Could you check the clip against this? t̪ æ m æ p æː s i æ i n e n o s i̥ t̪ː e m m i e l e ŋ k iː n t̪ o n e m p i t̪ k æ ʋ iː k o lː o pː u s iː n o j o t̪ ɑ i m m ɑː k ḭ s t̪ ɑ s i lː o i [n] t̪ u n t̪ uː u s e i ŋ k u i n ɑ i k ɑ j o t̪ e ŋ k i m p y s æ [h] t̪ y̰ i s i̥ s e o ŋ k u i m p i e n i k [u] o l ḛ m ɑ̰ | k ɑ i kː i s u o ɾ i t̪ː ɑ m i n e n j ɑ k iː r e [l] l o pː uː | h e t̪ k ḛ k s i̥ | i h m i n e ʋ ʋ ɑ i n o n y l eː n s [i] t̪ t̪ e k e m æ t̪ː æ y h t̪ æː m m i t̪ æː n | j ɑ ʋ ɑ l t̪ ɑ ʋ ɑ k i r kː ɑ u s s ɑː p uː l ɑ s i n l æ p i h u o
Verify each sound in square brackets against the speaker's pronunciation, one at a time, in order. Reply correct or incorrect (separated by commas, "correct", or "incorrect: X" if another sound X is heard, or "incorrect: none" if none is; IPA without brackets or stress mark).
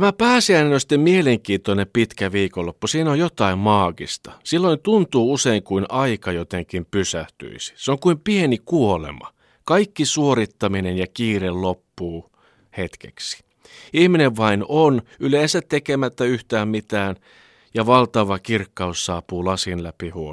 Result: correct, correct, correct, correct, incorrect: æ